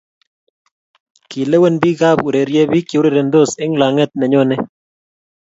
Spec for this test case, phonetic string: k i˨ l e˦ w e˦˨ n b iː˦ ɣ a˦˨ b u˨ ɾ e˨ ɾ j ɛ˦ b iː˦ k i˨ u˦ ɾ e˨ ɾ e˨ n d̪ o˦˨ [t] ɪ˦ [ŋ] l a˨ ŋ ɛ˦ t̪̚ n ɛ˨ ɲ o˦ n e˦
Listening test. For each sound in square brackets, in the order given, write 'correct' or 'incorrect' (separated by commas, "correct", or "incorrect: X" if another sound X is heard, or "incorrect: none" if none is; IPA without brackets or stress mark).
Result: incorrect: s, correct